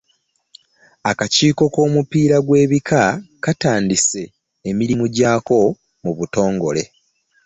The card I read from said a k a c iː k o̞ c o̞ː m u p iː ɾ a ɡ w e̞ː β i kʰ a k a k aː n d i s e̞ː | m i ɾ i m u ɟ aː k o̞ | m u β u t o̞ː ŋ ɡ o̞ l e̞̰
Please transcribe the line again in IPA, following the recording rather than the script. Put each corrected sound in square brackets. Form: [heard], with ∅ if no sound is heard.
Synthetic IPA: a k a c iː k o̞ [k] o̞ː m u p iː ɾ a ɡ w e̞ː β i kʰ a k a [t] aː n d i s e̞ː | m i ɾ i m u ɟ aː k o̞ | m u β u t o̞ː ŋ ɡ o̞ l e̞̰